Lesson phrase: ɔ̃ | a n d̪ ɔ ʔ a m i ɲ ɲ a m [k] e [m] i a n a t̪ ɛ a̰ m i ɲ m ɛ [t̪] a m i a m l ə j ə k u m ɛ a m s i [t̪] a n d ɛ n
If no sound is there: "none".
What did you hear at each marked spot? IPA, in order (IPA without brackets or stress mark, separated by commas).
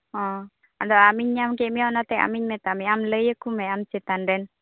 k, m, t̪, t̪